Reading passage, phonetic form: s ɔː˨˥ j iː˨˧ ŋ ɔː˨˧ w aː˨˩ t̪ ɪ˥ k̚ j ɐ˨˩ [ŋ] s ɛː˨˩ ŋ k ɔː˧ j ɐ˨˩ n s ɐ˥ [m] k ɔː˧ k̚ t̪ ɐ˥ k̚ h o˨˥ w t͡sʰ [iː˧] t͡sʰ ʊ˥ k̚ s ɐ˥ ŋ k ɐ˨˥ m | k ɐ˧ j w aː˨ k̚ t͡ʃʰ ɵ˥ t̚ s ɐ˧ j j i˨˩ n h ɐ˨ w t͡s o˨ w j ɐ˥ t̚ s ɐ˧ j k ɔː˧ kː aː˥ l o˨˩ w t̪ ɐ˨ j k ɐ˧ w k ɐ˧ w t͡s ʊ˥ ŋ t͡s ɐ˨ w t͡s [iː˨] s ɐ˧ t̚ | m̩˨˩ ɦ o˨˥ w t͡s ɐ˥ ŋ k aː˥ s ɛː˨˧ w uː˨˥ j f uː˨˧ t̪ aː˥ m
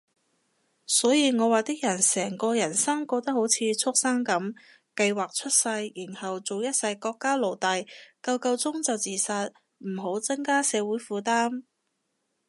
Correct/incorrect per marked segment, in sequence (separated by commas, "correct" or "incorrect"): incorrect, incorrect, correct, correct